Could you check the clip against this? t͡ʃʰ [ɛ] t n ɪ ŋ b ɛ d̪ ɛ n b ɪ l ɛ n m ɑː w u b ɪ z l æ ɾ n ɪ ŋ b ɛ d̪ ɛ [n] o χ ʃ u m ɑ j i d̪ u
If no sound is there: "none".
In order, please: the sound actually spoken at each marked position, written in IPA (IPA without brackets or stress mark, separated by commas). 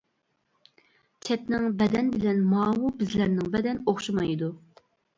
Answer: ɛ, n